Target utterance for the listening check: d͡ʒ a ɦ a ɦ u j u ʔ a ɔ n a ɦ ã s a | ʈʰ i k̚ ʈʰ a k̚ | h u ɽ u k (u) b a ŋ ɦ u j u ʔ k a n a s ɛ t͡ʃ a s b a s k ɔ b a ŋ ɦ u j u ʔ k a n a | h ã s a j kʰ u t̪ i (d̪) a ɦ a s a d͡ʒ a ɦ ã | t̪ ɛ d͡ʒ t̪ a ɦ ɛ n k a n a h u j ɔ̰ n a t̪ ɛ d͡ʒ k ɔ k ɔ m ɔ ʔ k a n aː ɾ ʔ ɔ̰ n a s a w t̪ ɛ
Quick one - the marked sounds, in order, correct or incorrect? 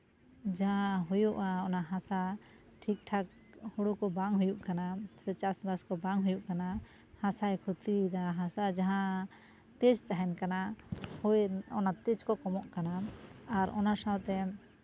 incorrect, correct

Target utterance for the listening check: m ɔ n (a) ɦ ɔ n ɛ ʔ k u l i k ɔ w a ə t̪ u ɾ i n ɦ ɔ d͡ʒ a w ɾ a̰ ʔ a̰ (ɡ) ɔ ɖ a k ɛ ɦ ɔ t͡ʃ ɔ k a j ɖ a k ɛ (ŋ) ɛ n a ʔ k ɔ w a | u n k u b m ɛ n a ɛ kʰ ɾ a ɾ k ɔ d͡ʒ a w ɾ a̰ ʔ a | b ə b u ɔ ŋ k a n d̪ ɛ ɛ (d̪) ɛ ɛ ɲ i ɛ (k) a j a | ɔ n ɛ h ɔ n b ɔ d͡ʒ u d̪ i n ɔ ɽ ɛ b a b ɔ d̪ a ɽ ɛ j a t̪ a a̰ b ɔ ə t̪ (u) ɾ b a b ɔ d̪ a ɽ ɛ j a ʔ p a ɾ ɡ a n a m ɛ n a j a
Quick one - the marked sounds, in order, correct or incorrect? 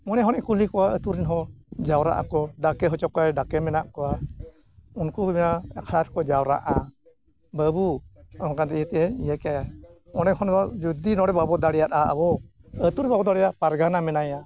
incorrect, incorrect, incorrect, incorrect, correct, correct

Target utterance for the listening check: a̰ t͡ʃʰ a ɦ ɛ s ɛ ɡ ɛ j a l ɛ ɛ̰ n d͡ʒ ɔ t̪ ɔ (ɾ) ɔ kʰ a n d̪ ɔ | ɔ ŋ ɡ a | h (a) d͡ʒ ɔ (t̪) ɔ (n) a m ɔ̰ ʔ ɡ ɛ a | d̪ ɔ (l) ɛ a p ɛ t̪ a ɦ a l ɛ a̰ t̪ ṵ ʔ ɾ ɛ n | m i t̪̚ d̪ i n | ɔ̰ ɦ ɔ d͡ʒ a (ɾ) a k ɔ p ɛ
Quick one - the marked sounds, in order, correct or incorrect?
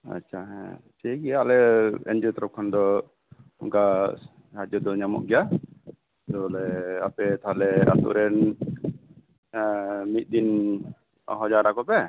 correct, correct, incorrect, incorrect, correct, correct

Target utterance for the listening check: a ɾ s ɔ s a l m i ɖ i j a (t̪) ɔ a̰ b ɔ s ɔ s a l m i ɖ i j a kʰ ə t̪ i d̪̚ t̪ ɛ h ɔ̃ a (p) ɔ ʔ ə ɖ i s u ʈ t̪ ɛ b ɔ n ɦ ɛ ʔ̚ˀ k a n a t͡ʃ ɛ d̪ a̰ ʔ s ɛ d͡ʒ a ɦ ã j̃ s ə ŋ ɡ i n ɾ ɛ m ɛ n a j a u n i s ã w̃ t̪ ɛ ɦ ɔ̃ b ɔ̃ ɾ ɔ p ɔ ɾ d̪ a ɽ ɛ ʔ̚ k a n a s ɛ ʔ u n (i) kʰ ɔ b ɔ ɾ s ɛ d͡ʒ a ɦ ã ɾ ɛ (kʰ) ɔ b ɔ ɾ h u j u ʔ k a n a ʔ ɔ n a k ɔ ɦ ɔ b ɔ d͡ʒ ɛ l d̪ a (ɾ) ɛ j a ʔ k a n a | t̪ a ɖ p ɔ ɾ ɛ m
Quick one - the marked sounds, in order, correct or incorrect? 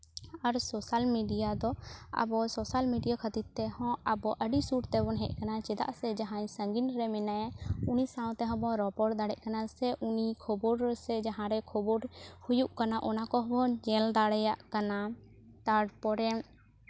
incorrect, incorrect, correct, correct, incorrect

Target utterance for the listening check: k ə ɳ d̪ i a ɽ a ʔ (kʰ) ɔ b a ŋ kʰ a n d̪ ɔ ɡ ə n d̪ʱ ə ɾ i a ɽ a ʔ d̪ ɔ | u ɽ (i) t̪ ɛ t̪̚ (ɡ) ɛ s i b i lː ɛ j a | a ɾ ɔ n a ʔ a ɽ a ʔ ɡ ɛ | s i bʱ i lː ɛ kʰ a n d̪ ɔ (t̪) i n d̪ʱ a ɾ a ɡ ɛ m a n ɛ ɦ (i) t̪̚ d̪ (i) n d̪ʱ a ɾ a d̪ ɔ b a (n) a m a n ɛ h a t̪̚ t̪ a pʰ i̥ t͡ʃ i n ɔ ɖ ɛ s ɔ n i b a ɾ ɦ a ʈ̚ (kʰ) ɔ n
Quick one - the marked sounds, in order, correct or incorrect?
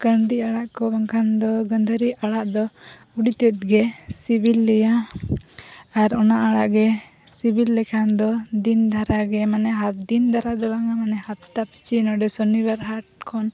incorrect, correct, correct, incorrect, incorrect, correct, incorrect, correct

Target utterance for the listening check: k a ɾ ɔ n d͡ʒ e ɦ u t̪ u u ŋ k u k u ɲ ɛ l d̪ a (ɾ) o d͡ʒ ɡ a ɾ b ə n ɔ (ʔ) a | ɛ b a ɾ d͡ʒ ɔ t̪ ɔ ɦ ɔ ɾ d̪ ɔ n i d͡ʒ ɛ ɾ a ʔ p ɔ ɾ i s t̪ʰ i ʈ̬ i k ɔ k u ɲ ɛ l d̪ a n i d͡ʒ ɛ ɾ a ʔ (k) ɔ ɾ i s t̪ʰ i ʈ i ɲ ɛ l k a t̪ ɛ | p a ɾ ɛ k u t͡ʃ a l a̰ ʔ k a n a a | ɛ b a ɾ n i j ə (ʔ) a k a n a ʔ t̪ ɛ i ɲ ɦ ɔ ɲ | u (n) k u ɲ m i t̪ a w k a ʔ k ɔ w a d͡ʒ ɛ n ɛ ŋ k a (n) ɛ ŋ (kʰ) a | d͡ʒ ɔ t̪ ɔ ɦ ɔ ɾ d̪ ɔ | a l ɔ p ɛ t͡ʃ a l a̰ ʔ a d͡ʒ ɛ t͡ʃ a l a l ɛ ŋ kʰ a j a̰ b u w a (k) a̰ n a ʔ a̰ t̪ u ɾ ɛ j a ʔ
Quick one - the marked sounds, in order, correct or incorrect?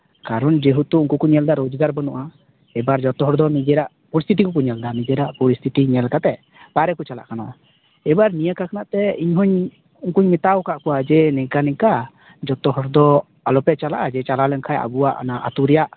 correct, correct, incorrect, incorrect, incorrect, correct, incorrect, incorrect

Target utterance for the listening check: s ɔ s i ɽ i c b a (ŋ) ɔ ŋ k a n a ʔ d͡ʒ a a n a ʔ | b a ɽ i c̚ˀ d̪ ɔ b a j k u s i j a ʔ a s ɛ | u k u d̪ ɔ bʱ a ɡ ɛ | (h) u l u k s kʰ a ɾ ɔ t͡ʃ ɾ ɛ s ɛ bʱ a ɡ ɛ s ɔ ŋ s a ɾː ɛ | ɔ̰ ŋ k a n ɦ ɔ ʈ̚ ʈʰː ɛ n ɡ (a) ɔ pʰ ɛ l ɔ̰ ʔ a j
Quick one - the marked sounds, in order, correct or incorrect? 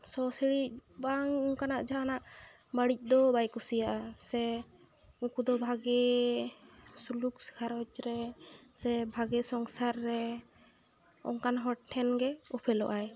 correct, incorrect, incorrect

